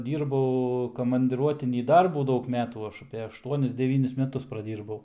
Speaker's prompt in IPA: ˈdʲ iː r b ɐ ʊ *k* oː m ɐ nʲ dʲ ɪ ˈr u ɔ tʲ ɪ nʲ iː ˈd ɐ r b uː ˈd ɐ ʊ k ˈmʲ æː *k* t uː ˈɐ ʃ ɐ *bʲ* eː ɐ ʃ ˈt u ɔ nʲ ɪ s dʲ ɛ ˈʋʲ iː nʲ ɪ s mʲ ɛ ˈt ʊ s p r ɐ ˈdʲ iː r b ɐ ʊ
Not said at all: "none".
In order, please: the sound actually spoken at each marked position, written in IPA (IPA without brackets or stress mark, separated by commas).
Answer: k, none, pʲ